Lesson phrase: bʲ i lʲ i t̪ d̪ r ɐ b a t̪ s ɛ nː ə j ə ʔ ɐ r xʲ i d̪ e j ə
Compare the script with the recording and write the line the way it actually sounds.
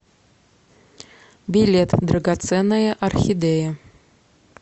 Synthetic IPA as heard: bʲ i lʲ e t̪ d̪ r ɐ ɡ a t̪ s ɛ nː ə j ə ʔ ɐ r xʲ i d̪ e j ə

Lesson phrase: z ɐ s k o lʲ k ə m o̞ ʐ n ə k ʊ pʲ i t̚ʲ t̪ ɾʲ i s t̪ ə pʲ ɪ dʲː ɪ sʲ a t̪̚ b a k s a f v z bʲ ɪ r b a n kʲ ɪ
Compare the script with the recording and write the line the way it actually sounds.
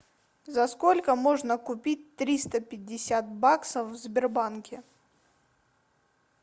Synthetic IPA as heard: z ɐ s k o lʲ k ə m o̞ ʐ n ə k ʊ pʲ i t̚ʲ t̪ ɾʲ i s t̪ ə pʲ ɪ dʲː ɪ sʲ a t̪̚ b a k s ə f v z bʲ ɪ r b a n kʲ ɪ

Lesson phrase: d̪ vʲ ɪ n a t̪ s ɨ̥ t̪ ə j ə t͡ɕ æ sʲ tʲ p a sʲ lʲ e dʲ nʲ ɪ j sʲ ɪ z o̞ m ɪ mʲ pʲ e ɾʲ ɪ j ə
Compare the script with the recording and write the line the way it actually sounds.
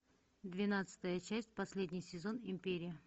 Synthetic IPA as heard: d̪ vʲ ɪ n a t̪ s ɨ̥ t̪ ə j ə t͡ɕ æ sʲ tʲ p ɐ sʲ lʲ e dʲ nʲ ɪ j sʲ ɪ z o̞ n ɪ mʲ pʲ e ɾʲ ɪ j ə

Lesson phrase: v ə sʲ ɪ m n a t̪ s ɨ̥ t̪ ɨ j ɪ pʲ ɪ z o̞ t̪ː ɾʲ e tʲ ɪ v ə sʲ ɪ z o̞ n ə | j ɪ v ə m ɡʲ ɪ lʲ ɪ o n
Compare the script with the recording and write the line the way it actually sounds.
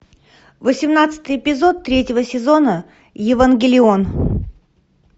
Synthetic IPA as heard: v ə sʲ ɪ m n a t̪ s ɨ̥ t̪ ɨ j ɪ pʲ ɪ z o̞ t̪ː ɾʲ e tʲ ɪ v ə sʲ ɪ z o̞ n ə | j ɪ v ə n ɡʲ ɪ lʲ ɪ o n

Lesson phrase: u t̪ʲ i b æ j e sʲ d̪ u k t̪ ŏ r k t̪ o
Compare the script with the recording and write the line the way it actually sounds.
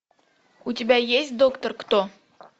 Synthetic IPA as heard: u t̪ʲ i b æ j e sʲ d̪ o k t̪ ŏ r k t̪ o

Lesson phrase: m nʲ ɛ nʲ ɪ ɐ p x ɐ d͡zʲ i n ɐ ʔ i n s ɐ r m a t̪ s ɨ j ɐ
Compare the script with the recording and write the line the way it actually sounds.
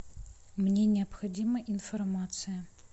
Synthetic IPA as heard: m nʲ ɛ nʲ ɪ ɐ p x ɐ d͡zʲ i m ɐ ʔ i n f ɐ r m a t̪ s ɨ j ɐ

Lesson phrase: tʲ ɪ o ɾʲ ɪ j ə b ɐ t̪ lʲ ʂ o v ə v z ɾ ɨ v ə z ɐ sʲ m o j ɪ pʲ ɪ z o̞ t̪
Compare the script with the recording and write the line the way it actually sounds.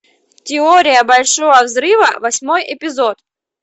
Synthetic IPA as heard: tʲ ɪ o ɾʲ ɪ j ə b ɐ lʲ ʂ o v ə v z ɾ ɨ v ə v ɐ sʲ m o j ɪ pʲ ɪ z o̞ t̪

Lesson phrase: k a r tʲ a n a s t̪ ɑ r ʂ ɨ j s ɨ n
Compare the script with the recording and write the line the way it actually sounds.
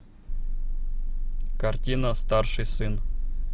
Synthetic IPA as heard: k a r tʲ i n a s t̪ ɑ r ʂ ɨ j s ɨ n

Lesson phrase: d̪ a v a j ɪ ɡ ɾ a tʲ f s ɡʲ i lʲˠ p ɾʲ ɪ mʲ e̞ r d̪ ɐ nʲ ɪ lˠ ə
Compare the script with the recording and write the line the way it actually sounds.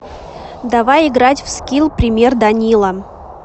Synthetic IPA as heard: d̪ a v a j ɪ ɡ ɾ a tʲ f s kʲ i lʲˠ p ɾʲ ɪ mʲ e̞ r d̪ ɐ nʲ i lˠ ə

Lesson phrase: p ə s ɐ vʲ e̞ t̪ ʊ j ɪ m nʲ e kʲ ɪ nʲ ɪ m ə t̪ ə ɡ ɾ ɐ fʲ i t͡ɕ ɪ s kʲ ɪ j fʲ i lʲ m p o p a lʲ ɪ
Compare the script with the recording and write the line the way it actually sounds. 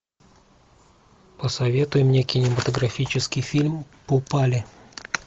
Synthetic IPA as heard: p ə s ɐ vʲ e̞ t̪ ʊ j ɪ m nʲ e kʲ ɪ nʲ ɪ m ə t̪ ə ɡ ɾ ɐ fʲ i t͡ɕ ɪ s kʲ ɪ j fʲ i lʲ m p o p a lʲ ɪ

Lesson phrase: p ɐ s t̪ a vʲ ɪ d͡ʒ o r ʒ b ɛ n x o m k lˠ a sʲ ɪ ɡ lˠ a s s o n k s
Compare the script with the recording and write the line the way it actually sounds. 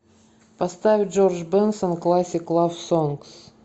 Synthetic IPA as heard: p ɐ s t̪ a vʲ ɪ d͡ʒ o r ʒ b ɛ n s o n k lˠ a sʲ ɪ k lˠ a f s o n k s

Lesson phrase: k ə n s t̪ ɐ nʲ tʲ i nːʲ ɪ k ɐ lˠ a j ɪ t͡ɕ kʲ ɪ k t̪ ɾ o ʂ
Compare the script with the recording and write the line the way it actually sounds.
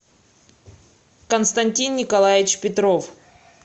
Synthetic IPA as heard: k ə n s t̪ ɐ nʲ tʲ i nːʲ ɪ k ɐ lˠ a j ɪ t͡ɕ pʲ ɪ t̪ ɾ o f

